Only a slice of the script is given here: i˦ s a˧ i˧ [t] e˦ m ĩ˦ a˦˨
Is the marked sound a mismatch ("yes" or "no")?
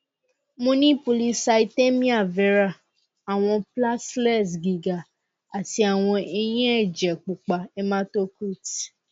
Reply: no